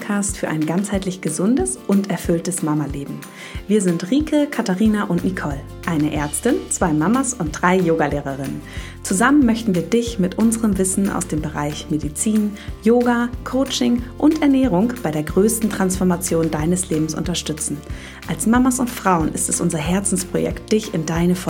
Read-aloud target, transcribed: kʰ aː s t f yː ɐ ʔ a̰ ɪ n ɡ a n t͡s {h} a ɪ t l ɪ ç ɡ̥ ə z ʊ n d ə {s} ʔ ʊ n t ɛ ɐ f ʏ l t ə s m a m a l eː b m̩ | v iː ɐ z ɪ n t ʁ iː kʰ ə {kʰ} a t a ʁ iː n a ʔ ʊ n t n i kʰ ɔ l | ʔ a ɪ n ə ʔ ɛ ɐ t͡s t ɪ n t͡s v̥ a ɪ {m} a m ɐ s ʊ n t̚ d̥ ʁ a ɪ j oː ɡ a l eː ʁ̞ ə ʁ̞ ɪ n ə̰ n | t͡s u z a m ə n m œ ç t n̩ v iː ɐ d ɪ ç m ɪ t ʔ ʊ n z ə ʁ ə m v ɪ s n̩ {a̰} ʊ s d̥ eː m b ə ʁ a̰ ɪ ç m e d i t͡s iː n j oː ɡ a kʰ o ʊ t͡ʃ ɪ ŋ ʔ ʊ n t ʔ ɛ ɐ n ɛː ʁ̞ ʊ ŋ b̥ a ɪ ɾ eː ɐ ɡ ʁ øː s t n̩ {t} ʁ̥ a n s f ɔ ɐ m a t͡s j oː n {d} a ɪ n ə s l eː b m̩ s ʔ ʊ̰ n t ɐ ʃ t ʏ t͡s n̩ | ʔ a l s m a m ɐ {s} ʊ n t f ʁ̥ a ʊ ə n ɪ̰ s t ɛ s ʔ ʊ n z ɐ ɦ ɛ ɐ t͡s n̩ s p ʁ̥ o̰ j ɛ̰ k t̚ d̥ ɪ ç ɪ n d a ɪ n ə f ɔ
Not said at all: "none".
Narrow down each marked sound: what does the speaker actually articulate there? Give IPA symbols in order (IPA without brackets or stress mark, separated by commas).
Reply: h, s, kʰ, m, a̰, t, d, s